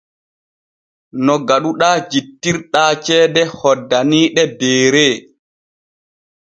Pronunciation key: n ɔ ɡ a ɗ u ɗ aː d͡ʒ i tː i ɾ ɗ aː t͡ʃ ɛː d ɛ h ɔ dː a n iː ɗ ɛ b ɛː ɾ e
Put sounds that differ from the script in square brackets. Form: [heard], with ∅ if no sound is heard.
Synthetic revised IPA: n ɔ ɡ a ɗ u ɗ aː d͡ʒ i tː i ɾ ɗ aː t͡ʃ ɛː d ɛ h ɔ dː a n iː ɗ ɛ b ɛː ɾ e